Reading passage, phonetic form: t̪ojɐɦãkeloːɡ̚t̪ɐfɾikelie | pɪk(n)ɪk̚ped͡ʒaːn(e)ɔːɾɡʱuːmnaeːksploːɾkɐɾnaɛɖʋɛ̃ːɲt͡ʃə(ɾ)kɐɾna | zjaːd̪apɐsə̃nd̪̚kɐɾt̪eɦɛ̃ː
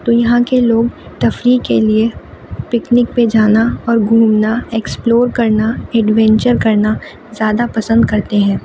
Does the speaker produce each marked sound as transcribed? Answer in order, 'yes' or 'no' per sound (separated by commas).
yes, no, yes